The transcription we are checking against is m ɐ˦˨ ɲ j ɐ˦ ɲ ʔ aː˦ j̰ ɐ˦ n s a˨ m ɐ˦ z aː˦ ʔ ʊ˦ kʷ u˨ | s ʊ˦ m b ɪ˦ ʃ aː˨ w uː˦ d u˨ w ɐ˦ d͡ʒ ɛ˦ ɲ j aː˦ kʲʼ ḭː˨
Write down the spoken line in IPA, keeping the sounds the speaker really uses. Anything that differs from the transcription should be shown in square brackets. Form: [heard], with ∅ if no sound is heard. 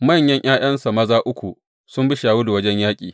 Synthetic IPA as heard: m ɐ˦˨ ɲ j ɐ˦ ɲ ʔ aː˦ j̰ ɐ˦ n s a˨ m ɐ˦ z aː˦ ʔ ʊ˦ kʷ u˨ | s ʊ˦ m b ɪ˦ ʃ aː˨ w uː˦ d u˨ w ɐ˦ d͡ʒ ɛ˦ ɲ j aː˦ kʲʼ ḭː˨